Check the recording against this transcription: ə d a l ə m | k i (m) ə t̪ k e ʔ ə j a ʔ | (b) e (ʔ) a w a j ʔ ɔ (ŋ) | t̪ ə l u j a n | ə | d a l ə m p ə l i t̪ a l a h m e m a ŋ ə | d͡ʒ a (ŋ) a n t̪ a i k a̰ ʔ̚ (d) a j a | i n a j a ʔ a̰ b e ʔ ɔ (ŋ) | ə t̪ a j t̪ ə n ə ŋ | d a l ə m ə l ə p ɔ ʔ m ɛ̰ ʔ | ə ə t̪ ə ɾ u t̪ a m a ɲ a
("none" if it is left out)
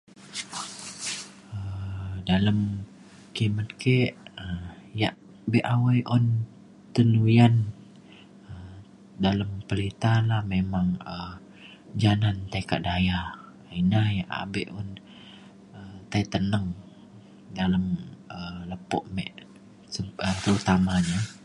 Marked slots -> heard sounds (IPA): m, b, ʔ, n, n, d, n

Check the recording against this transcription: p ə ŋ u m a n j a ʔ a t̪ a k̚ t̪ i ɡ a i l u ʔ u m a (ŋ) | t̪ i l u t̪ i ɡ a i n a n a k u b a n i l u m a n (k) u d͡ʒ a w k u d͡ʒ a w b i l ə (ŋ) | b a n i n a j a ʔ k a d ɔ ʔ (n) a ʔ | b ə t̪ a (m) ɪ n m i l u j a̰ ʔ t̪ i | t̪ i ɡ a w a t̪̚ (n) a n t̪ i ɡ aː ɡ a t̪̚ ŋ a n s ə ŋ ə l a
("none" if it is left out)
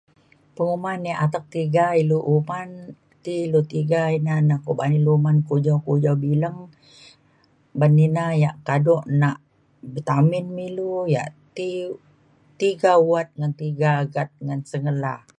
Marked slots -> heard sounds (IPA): n, k, ŋ, n, m, ŋ

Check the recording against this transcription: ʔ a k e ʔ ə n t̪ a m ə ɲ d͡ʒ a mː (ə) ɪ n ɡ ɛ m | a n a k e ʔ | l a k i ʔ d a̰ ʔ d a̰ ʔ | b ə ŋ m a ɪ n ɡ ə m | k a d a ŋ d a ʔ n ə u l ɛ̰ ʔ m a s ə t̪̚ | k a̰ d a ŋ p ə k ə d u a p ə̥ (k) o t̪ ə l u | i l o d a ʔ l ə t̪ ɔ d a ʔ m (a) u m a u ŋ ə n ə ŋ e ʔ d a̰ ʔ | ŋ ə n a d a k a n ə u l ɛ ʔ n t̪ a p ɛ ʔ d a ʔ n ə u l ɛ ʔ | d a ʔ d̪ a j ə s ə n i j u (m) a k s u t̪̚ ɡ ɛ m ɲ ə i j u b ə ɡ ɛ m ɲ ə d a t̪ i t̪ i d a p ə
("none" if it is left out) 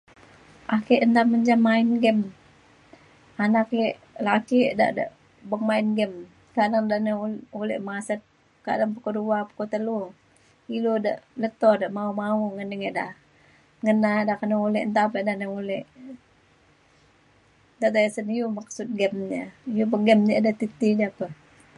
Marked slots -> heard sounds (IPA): a, k, a, m

